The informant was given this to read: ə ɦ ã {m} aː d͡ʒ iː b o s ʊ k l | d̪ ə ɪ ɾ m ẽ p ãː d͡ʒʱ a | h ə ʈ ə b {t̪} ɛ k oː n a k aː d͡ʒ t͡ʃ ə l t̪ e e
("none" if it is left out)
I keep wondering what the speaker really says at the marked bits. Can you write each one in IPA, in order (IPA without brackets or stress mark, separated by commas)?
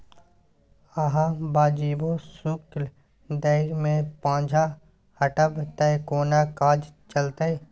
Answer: b, t̪